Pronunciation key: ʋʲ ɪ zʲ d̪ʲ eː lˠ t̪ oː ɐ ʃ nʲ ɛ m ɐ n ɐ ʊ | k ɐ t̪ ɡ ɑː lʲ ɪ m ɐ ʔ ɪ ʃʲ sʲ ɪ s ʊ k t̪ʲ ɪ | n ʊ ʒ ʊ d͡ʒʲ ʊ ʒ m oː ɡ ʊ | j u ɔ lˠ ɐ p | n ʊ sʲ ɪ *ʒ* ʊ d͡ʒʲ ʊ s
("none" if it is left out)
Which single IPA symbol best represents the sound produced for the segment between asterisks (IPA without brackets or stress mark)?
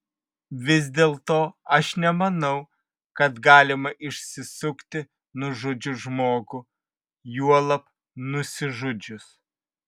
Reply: ʒ